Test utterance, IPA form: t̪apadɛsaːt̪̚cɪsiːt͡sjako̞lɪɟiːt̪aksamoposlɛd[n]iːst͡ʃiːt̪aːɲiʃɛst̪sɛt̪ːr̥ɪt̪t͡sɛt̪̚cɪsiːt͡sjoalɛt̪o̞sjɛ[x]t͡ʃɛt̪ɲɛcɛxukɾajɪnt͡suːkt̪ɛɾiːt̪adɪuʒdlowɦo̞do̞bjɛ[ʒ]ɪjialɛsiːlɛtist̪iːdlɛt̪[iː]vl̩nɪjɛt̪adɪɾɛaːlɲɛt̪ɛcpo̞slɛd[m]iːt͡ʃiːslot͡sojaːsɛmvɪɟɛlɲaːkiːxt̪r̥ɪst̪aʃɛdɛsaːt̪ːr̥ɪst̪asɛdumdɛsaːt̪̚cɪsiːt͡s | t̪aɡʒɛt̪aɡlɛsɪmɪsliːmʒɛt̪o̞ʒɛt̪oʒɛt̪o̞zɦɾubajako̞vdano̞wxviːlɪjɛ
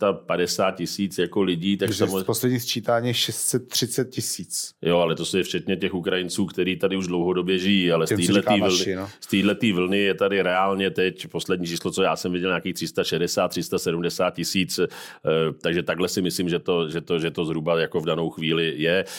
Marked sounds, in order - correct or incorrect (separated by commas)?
incorrect, incorrect, correct, correct, incorrect